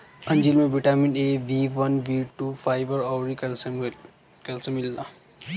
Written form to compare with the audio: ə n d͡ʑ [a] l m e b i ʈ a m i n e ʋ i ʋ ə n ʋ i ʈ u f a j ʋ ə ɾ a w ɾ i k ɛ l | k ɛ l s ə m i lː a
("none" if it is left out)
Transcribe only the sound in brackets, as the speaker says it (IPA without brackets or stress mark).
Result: i